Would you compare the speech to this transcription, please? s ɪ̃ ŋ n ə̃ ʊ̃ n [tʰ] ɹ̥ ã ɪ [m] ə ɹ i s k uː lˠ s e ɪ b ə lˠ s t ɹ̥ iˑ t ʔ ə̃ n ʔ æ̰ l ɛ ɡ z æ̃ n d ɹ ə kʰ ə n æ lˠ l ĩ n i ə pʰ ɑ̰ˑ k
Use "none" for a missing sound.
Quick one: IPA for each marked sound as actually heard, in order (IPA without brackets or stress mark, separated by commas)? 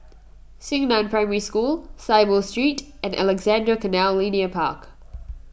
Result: pʰ, m